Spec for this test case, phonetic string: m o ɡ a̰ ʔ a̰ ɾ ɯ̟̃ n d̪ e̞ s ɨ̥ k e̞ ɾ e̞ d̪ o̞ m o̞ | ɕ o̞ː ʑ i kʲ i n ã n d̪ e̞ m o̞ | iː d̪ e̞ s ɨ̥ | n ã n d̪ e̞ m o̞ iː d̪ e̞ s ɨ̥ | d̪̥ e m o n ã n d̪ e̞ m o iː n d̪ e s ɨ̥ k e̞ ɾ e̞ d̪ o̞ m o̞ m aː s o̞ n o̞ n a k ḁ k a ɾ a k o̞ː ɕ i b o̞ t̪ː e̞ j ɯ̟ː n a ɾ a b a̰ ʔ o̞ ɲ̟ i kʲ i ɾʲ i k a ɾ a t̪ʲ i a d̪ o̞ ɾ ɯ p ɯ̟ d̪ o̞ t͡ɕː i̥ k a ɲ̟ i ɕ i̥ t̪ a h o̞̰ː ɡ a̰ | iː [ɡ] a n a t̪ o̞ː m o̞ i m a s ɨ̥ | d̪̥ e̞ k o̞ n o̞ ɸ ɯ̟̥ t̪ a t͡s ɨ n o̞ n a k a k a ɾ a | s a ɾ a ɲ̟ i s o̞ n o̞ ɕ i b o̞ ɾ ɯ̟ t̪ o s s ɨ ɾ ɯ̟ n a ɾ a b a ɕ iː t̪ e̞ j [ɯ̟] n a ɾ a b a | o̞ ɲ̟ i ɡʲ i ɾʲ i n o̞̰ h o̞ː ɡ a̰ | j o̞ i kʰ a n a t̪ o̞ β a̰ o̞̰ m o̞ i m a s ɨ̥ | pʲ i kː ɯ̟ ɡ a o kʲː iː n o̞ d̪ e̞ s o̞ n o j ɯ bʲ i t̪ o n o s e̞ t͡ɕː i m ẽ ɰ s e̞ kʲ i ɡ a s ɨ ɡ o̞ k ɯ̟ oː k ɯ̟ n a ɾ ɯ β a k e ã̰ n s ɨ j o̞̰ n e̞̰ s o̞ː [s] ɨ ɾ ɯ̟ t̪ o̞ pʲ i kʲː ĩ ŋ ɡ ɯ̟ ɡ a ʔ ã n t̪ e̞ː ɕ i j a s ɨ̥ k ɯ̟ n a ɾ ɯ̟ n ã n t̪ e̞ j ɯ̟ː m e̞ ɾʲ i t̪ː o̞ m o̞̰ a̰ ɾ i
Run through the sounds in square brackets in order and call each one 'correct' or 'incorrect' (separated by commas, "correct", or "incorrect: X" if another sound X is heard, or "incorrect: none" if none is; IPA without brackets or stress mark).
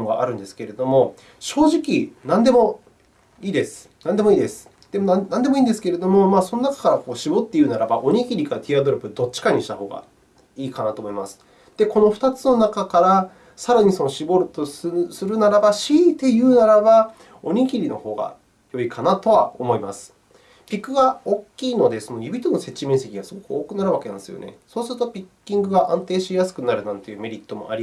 incorrect: k, incorrect: ɯ̟ː, correct